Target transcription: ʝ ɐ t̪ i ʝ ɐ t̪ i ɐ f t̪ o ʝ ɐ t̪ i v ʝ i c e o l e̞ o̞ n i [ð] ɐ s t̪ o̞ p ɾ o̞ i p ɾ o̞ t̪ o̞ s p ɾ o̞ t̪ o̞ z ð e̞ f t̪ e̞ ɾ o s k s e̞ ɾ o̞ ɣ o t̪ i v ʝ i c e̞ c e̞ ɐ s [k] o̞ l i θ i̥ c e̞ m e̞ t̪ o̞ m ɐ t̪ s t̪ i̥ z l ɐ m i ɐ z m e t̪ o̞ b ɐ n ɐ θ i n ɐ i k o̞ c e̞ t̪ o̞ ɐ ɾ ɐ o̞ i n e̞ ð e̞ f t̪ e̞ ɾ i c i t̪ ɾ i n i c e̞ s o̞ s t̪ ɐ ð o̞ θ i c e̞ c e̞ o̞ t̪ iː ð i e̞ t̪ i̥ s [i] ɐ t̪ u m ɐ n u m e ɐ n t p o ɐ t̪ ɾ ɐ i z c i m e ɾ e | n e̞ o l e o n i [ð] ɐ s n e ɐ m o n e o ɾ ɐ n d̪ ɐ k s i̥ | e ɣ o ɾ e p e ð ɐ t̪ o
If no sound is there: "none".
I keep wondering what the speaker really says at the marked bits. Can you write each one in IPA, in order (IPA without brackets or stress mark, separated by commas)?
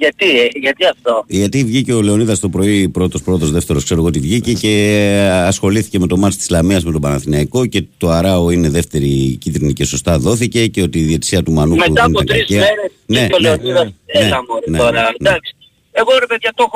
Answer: ð, x, i, ð